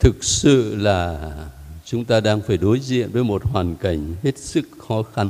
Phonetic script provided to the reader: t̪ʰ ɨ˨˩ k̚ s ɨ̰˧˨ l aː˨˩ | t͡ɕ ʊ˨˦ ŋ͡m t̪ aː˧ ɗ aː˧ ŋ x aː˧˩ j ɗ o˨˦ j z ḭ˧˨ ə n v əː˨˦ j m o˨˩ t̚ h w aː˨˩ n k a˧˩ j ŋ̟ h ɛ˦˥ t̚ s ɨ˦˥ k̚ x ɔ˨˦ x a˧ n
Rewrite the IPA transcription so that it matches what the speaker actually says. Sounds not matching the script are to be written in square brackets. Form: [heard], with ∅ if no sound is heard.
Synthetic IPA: t̪ʰ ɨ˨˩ k̚ s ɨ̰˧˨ l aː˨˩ | t͡ɕ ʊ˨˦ ŋ͡m t̪ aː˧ ɗ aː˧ ŋ [f] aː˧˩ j ɗ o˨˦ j z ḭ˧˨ ə n v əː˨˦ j m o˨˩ t̚ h w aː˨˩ n k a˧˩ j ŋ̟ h [e˦˥] t̚ s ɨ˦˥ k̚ x ɔ˨˦ x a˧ n